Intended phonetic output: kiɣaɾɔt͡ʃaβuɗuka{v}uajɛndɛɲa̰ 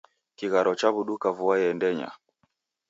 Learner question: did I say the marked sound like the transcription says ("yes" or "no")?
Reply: yes